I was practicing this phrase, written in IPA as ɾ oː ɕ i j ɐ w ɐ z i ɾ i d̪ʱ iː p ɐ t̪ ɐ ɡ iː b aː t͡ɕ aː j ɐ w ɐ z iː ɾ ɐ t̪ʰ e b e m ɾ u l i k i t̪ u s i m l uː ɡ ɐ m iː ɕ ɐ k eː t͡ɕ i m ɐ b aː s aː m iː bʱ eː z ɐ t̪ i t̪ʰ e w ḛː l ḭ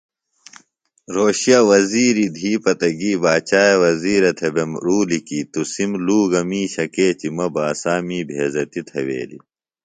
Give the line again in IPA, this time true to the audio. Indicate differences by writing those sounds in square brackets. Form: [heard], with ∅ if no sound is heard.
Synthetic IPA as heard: ɾ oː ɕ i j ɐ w ɐ z [iː] ɾ i d̪ʱ iː p ɐ t̪ ɐ ɡ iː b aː t͡ɕ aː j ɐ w ɐ z iː ɾ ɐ t̪ʰ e b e m ɾ [uː] l i k i t̪ u s i m l uː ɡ ɐ m iː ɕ ɐ k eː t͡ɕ i m ɐ b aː s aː m iː bʱ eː z ɐ t̪ i t̪ʰ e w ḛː l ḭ